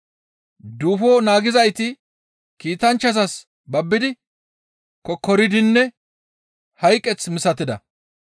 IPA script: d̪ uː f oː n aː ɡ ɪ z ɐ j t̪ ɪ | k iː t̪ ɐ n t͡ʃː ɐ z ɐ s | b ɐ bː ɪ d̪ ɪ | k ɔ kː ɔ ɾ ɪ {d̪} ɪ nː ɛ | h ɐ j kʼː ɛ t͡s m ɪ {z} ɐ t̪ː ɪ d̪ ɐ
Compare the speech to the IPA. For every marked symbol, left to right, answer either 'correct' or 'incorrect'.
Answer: correct, incorrect

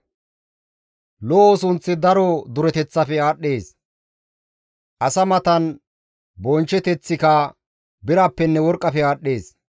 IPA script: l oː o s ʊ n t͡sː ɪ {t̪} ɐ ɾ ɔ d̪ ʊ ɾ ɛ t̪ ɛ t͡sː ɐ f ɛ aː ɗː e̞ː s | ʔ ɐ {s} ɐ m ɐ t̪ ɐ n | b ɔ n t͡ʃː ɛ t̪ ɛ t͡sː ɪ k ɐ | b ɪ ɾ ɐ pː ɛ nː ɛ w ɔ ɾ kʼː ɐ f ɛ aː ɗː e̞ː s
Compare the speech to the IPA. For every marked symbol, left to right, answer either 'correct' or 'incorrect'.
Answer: incorrect, correct

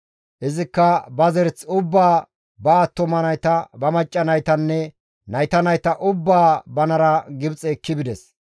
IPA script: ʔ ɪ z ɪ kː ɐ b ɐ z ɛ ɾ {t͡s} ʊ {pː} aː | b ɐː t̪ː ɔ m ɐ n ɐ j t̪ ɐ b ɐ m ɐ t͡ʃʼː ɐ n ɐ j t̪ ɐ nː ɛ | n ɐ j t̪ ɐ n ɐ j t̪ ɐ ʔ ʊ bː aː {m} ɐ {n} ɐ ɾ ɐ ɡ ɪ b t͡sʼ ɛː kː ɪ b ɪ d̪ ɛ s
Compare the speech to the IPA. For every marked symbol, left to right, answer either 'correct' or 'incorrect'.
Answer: correct, incorrect, incorrect, correct

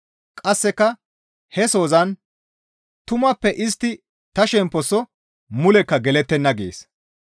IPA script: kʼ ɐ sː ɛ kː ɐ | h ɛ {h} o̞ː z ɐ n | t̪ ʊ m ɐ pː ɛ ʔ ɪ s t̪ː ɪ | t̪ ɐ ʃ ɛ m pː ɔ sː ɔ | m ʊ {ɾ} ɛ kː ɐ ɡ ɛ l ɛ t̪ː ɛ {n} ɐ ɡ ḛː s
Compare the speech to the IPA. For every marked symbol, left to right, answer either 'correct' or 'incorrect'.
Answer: incorrect, incorrect, incorrect

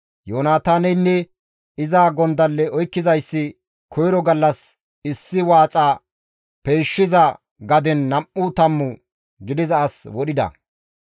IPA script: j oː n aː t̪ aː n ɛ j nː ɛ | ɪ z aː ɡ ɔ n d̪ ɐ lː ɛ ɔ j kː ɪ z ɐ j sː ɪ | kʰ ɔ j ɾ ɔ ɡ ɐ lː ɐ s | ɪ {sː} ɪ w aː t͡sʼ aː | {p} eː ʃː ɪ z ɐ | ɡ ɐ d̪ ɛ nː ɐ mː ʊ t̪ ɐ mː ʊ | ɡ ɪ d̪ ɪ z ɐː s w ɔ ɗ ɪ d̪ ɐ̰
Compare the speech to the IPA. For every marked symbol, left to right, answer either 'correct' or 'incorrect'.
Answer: correct, correct

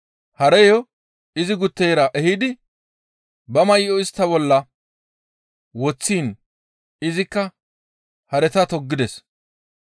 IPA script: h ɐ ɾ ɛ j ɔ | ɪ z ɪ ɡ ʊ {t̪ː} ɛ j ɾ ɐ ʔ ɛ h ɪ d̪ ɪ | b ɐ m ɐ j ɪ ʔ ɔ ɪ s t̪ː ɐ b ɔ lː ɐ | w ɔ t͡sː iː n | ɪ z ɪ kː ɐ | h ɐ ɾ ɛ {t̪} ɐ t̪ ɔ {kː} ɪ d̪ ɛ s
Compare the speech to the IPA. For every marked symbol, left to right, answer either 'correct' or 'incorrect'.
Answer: correct, correct, incorrect

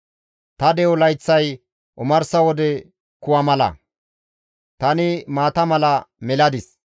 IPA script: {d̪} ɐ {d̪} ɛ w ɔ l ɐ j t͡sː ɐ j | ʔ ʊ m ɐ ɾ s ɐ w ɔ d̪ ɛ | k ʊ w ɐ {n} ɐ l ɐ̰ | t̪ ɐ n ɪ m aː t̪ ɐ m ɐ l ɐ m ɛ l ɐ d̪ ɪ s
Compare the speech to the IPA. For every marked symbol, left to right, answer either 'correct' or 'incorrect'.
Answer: incorrect, correct, incorrect

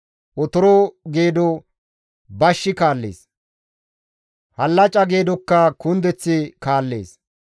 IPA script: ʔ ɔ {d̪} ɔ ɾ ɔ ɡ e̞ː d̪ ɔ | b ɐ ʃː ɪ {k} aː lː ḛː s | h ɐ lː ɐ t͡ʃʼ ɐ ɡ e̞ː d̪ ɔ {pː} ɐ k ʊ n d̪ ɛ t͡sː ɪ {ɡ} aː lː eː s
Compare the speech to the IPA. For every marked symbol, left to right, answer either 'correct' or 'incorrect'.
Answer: incorrect, correct, incorrect, incorrect

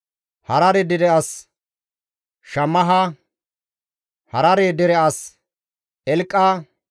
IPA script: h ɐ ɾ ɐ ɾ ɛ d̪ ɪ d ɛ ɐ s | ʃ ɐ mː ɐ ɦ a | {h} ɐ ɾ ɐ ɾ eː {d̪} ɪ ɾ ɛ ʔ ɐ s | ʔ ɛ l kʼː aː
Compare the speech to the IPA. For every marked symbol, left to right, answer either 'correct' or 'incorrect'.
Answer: correct, correct

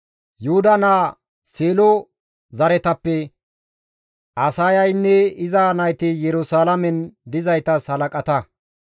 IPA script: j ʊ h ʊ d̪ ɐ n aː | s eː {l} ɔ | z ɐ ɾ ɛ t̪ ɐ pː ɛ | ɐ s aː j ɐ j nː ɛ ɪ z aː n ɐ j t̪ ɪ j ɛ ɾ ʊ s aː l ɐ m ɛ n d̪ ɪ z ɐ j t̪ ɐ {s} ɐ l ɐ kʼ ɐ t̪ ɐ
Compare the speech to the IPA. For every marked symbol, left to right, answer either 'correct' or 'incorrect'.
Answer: correct, correct

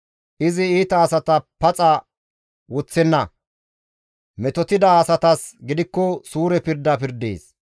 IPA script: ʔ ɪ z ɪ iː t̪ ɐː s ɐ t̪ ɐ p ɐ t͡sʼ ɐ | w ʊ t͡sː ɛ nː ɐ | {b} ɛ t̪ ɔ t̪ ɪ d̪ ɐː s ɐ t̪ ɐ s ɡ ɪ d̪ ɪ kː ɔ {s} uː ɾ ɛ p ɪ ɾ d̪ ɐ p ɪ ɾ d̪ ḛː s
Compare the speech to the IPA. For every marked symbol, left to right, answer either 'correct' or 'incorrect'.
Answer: incorrect, correct

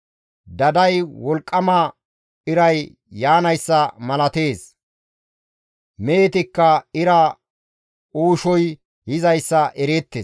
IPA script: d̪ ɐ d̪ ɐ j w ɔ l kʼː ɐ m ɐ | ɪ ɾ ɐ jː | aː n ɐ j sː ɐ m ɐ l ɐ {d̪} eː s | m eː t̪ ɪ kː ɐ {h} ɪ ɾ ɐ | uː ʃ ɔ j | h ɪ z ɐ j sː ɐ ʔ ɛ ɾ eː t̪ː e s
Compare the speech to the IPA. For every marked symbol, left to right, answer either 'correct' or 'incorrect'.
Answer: incorrect, incorrect

